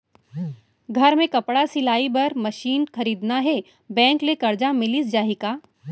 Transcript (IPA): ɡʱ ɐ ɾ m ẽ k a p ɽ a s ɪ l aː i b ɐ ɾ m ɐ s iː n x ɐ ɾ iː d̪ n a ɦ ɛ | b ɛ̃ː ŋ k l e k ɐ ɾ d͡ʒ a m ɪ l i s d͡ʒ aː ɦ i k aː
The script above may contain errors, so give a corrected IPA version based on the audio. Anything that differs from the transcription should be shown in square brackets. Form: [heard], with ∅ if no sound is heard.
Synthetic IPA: ɡʱ ɐ ɾ m ẽ k [ɐ] p ɽ a s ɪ l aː i b ɐ ɾ m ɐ [ʃ] iː n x ɐ ɾ iː d̪ n a ɦ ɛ | b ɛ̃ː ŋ k l e k ɐ ɾ d͡ʒ a m ɪ l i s d͡ʒ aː ɦ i k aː